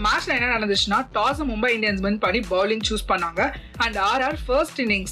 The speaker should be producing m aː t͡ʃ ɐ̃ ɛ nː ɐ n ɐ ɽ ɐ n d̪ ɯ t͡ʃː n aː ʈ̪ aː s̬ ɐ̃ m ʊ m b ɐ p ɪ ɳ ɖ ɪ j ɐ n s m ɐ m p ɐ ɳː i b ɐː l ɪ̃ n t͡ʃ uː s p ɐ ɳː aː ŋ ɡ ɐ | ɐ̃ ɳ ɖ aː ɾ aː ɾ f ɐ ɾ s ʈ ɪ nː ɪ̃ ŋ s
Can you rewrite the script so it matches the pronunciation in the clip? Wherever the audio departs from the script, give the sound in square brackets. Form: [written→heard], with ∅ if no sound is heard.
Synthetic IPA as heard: m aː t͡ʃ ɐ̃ ɛ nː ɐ n ɐ ɽ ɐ n d̪ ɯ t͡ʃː n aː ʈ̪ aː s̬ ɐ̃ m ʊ m b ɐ [p→∅] ɪ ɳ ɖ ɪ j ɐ n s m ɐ [m→n] p ɐ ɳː i b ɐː l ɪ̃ [n→ŋ] t͡ʃ uː s p ɐ ɳː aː ŋ ɡ ɐ | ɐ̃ ɳ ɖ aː ɾ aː ɾ f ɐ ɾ s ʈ ɪ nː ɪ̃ ŋ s